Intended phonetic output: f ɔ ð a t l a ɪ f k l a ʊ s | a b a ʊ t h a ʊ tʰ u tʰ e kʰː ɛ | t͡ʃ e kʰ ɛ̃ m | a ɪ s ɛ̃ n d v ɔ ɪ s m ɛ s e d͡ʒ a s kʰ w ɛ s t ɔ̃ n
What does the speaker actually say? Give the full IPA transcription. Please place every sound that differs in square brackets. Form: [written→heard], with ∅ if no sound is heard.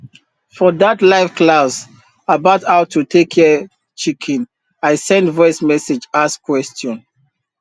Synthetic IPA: f ɔ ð a t l a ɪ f k l a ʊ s | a b a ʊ t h a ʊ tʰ u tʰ e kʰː ɛ | t͡ʃ [e→i] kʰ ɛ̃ [m→n] | a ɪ s ɛ̃ n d v ɔ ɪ s m ɛ s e d͡ʒ a s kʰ w ɛ s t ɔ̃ n